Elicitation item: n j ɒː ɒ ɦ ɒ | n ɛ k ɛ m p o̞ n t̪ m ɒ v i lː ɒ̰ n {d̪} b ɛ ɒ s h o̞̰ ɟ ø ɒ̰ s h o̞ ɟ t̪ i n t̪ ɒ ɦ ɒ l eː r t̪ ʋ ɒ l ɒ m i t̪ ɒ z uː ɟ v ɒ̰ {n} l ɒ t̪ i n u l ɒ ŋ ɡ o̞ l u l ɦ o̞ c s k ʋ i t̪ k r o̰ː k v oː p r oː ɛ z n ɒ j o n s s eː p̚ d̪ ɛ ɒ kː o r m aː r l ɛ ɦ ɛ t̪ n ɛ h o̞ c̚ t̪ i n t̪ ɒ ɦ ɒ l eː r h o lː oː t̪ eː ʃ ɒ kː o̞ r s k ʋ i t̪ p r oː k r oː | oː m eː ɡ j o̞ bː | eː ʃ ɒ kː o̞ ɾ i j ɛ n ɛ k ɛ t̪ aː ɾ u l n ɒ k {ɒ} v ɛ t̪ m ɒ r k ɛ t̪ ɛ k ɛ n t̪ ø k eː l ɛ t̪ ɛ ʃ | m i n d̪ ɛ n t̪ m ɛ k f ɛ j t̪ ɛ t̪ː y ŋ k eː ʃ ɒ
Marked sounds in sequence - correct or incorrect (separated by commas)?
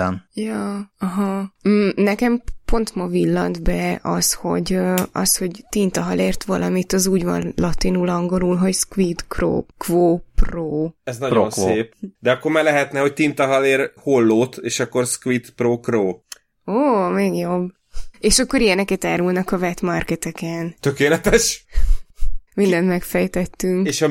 correct, correct, correct